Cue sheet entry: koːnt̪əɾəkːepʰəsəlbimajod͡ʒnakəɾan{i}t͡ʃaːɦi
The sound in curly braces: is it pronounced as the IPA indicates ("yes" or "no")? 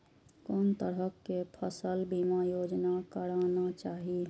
no